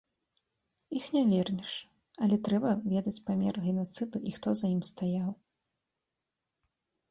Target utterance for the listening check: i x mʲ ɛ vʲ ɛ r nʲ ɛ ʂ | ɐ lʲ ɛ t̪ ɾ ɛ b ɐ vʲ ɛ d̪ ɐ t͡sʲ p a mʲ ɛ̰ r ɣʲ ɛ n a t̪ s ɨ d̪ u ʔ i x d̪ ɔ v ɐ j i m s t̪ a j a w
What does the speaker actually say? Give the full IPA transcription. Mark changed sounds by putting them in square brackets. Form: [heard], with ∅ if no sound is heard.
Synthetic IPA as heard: i x [nʲ] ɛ vʲ ɛ r nʲ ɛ ʂ | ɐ lʲ ɛ t̪ ɾ ɛ b ɐ vʲ ɛ d̪ ɐ t͡sʲ p a mʲ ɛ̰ r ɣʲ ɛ n a t̪ s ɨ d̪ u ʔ i x [t̪] ɔ [z] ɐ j i m s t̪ a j a w